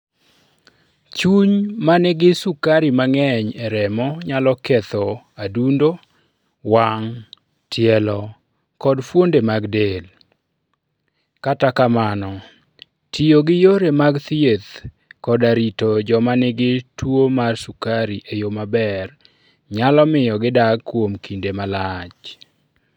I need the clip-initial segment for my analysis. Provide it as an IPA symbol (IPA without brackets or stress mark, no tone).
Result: t͡ʃ